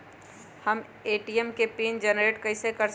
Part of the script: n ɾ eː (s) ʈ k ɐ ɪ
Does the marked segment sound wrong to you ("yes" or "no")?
yes